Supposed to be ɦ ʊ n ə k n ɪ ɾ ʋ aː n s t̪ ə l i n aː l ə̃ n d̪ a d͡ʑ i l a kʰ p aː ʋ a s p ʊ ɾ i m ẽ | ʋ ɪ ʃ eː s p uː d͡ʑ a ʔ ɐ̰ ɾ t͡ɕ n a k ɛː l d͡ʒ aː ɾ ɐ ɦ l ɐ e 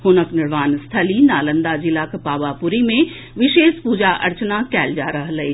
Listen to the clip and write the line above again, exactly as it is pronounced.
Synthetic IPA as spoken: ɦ ʊ n ə k n ɪ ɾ ʋ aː n s t̪ʰ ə l i n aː l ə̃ n d̪ a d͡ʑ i l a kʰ p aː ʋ a p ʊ ɾ i m ẽ | ʋ ɪ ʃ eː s p uː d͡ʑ a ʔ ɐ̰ ɾ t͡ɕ n a k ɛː l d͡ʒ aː ɾ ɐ ɦ l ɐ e